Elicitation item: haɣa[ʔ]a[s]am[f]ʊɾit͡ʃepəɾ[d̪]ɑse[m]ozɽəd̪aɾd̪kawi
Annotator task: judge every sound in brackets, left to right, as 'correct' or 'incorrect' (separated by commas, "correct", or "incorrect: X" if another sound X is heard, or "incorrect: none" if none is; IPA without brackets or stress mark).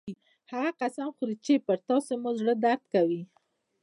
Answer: incorrect: q, correct, incorrect: x, incorrect: t̪, correct